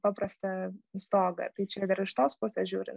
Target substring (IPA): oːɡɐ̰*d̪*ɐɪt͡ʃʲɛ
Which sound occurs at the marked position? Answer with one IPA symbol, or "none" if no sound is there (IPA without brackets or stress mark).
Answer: t̪